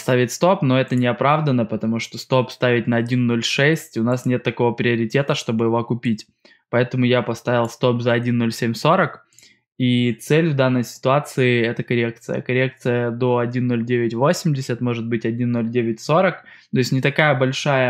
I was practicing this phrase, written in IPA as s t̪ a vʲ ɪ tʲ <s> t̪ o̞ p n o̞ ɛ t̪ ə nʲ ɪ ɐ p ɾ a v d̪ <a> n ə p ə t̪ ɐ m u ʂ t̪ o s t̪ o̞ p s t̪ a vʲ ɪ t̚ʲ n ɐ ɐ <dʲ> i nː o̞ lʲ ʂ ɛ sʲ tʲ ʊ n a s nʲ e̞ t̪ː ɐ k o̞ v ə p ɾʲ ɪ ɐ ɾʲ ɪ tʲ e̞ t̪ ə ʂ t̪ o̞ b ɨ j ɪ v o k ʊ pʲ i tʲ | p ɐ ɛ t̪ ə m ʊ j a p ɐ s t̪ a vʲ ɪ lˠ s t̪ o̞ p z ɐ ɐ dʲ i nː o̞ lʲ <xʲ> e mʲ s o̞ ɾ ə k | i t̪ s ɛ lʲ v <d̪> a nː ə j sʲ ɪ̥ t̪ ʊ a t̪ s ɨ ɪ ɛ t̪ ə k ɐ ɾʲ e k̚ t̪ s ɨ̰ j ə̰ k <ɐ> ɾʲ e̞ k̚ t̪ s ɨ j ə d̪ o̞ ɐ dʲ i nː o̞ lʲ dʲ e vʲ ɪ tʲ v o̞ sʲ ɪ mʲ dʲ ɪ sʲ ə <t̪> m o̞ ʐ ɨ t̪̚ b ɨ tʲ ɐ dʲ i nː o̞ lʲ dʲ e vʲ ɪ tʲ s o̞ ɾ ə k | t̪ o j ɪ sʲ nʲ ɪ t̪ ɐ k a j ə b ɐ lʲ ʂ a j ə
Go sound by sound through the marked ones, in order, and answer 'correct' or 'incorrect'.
correct, incorrect: ə, correct, incorrect: sʲ, correct, correct, correct

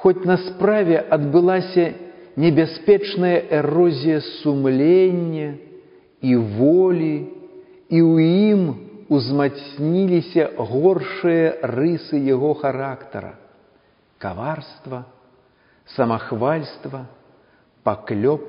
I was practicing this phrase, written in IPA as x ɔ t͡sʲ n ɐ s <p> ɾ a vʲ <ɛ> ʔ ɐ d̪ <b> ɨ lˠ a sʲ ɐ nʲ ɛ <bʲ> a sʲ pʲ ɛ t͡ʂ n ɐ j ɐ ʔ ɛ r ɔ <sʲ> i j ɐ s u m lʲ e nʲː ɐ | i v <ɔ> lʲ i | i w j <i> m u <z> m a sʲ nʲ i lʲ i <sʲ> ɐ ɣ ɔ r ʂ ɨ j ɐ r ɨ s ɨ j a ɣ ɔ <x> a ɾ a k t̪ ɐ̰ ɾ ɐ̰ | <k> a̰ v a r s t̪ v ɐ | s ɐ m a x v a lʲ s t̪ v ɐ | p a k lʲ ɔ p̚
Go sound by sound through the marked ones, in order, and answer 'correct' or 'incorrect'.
correct, correct, correct, correct, incorrect: zʲ, correct, correct, correct, correct, correct, correct

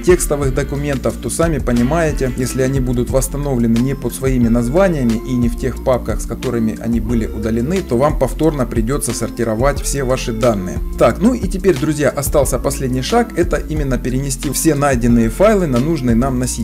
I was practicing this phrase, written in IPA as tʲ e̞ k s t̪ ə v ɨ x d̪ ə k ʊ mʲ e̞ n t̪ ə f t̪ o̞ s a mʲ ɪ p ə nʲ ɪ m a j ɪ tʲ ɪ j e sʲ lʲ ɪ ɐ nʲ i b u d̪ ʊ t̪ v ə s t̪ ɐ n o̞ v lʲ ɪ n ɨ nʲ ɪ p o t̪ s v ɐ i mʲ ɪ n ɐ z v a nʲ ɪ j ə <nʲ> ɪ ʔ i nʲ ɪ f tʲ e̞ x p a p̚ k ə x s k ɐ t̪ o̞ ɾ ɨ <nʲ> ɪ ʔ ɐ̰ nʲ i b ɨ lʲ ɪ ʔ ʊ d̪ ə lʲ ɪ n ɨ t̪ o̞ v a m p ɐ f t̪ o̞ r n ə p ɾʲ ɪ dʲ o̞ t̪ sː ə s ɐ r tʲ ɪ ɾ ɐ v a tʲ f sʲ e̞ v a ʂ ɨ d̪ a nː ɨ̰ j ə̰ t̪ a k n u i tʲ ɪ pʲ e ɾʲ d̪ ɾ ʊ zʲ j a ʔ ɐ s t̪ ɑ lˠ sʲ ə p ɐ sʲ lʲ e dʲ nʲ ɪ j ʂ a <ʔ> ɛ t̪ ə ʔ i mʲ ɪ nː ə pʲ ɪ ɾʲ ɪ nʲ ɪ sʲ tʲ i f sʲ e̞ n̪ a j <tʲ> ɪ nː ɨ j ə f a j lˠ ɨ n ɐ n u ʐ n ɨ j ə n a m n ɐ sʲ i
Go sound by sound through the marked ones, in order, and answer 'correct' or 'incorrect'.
incorrect: mʲ, incorrect: mʲ, incorrect: k, incorrect: dʲ

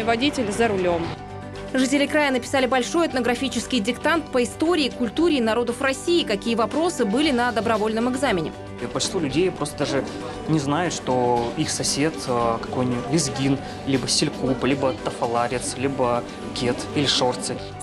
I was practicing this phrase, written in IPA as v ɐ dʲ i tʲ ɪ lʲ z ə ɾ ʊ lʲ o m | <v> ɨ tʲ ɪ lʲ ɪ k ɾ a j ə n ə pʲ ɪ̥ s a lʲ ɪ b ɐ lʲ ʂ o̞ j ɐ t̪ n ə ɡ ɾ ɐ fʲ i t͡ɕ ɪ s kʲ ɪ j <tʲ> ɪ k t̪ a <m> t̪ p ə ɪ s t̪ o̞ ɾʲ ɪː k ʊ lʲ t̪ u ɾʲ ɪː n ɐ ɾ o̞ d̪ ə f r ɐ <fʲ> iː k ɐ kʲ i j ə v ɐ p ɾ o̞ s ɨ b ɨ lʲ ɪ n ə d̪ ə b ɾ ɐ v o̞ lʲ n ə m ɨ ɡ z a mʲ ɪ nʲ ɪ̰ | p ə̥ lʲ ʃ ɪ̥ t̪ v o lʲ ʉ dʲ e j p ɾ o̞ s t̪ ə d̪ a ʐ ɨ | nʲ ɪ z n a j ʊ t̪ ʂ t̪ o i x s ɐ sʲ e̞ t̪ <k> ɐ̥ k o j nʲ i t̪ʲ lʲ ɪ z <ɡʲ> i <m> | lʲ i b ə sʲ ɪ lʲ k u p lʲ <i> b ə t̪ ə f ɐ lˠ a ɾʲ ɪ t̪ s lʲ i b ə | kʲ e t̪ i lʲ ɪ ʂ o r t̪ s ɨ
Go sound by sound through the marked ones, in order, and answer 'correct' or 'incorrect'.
incorrect: ʐ, incorrect: dʲ, incorrect: n, incorrect: sʲ, correct, correct, incorrect: n, correct

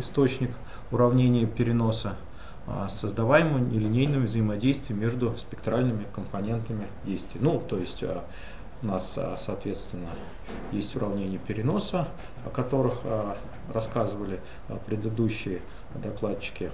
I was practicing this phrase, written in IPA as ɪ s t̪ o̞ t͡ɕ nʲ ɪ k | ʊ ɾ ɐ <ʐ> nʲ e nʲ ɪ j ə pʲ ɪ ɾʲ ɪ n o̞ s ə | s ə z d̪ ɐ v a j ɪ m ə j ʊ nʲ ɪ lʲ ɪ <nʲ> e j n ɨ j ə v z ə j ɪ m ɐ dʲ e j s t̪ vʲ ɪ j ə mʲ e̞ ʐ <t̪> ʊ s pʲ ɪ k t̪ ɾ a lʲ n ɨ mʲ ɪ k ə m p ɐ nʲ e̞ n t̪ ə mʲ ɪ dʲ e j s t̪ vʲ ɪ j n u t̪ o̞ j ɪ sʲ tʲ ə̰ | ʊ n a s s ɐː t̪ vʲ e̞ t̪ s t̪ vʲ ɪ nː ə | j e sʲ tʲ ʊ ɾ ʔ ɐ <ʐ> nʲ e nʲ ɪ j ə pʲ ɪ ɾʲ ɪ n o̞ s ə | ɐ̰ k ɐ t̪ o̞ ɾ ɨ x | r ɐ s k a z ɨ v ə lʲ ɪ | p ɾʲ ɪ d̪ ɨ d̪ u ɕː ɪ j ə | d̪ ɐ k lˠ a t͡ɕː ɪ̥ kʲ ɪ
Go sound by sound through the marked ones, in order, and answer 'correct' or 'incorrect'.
incorrect: v, correct, incorrect: d̪, incorrect: v

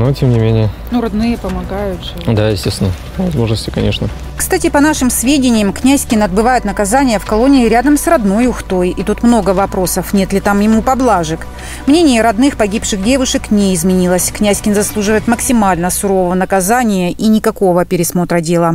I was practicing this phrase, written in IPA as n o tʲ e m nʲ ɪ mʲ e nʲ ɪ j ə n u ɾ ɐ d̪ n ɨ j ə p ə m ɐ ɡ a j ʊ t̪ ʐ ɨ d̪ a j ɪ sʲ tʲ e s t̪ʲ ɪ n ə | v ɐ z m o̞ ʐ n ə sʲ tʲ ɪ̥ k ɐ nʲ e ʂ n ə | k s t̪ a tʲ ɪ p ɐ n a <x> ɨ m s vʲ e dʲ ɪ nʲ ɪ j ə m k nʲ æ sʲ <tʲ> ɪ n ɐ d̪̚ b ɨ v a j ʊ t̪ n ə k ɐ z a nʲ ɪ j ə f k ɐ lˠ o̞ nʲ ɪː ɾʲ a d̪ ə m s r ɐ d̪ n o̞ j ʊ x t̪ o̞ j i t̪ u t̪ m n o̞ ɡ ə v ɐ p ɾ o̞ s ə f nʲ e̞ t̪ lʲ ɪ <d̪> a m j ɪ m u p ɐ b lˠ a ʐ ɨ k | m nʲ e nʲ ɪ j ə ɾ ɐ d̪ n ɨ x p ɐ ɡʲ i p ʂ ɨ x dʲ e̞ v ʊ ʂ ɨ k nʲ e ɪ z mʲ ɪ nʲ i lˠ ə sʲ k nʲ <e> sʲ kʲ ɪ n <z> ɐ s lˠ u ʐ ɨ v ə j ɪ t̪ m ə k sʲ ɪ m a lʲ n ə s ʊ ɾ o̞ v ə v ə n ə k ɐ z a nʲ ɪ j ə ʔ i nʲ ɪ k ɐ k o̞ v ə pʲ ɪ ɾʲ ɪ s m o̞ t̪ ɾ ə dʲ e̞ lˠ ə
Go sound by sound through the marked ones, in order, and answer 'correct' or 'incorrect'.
incorrect: ʂ, incorrect: kʲ, incorrect: t̪, incorrect: æ, correct

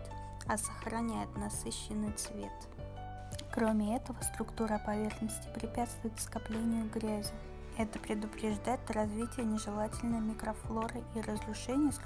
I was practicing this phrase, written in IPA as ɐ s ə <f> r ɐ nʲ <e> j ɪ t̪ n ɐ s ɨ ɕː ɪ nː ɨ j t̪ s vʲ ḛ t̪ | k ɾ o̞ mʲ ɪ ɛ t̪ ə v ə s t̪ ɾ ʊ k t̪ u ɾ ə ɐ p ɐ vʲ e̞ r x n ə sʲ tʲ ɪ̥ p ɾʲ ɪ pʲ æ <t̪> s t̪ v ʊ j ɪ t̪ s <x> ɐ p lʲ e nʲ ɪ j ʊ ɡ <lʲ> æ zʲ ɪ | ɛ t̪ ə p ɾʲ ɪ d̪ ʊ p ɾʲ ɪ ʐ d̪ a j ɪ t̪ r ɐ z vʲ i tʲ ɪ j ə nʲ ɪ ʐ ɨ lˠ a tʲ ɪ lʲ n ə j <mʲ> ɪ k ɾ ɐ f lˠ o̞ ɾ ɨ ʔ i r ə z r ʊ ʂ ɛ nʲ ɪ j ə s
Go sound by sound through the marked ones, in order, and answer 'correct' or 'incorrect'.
incorrect: x, incorrect: æ, correct, incorrect: k, incorrect: ɾʲ, correct

